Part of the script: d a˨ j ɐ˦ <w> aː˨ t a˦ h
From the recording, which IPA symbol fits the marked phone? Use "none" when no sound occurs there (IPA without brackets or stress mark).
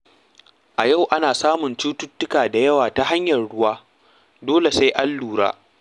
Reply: w